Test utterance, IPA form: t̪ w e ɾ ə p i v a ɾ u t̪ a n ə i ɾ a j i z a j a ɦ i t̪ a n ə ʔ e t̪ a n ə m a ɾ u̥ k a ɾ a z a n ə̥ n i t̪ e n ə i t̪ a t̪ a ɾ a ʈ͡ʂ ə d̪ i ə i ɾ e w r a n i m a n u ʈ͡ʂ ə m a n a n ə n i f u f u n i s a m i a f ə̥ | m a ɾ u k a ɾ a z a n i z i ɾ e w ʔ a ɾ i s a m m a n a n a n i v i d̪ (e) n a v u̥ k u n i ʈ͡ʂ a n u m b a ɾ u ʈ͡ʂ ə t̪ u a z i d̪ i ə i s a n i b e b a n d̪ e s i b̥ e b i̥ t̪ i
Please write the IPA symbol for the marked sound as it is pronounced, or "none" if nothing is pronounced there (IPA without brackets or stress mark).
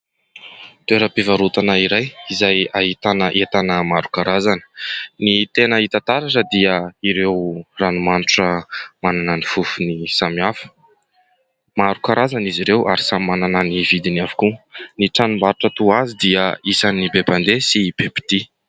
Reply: i